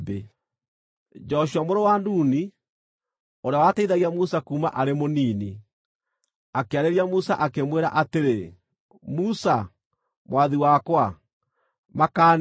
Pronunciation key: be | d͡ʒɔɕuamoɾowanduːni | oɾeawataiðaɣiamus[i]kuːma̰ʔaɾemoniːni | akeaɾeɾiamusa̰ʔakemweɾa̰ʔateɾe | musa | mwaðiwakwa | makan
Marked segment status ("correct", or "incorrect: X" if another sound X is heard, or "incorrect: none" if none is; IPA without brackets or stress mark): incorrect: a